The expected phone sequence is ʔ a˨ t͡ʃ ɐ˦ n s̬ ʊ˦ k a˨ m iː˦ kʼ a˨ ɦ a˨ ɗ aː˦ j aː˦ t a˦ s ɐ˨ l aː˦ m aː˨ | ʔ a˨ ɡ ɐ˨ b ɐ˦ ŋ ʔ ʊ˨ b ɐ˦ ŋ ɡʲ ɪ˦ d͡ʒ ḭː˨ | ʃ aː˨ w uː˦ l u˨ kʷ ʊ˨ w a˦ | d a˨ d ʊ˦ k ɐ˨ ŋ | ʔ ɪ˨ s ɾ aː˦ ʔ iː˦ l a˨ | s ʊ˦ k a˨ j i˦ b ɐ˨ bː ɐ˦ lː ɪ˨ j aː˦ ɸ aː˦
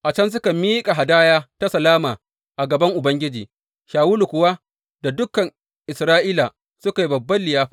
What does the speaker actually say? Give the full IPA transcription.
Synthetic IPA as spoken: ʔ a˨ t͡ʃ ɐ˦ n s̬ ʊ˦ k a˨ m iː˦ kʼ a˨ ɦ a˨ d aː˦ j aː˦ t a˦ s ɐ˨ l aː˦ m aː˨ | ʔ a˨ ɡ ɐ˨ b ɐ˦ ŋ ʔ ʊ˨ b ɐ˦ ŋ ɡʲ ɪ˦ d͡ʒ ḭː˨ | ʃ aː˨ w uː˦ l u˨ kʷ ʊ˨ w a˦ | d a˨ d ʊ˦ k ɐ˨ ŋ | ʔ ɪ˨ s ɾ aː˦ ʔ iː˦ l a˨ | s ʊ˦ k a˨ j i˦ b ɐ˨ bː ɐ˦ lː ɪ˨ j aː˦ ɸ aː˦